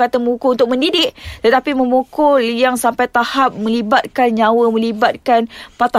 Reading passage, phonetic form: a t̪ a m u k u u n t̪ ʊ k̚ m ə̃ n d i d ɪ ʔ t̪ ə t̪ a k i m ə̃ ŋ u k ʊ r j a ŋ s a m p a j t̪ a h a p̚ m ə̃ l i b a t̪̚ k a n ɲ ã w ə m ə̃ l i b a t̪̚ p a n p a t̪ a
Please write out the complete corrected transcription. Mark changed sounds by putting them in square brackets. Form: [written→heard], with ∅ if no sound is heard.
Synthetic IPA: a t̪ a m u k u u n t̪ ʊ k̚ m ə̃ n d i d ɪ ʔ t̪ ə t̪ a [k→p] i m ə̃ [ŋ→m] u k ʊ [r→l] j a ŋ s a m p a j t̪ a h a p̚ m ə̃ l i b a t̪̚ k a n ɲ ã w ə m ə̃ l i b a t̪̚ [p→k] a n p a t̪ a